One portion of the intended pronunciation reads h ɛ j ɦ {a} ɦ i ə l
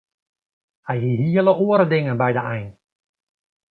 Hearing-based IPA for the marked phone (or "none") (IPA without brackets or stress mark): i